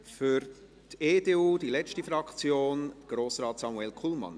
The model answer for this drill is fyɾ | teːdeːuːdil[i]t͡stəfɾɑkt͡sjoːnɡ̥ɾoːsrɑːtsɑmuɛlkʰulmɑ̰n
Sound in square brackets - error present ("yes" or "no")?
yes